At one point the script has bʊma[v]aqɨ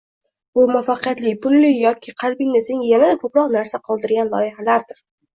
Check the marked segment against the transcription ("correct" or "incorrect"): incorrect